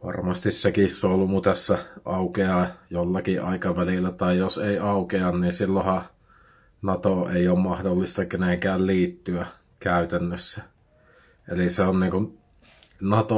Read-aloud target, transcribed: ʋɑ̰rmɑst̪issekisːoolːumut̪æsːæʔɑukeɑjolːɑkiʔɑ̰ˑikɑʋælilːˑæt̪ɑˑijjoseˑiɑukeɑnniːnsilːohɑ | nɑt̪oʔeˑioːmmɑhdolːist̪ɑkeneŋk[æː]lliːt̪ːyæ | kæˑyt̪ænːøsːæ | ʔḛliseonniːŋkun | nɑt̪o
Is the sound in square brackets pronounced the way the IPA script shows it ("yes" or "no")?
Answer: yes